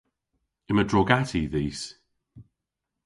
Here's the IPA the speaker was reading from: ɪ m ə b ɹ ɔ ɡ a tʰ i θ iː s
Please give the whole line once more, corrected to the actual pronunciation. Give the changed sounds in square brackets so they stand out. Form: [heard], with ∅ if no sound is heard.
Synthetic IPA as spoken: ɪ m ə [d] ɹ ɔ ɡ a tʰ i [ð] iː s